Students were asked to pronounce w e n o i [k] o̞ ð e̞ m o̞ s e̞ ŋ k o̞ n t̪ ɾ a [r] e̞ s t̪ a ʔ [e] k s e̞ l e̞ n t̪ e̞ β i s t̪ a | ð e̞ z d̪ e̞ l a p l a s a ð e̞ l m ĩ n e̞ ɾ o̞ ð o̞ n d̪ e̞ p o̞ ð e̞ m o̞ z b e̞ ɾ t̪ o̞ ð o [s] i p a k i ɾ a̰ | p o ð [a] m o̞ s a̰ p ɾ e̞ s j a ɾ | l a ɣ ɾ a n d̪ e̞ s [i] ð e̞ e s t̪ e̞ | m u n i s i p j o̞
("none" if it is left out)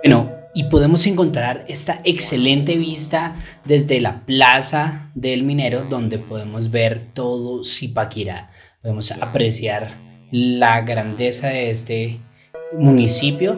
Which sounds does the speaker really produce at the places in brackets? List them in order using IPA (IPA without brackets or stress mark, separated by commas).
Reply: p, ɾ, e, s, e, a